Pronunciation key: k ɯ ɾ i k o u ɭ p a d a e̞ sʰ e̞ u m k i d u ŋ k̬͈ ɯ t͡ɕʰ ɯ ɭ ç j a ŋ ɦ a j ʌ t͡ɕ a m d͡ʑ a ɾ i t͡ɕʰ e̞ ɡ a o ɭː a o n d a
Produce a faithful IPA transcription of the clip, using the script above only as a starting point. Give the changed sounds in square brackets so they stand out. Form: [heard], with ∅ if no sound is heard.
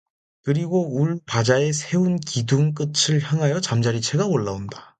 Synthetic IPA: k ɯ ɾ i [ɡ] o u ɭ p a [d͡ʑ] a e̞ sʰ e̞ u [n] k i d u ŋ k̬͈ ɯ t͡ɕʰ ɯ ɭ ç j a ŋ ɦ a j ʌ t͡ɕ a m d͡ʑ a ɾ i t͡ɕʰ e̞ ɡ a o ɭː a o n d a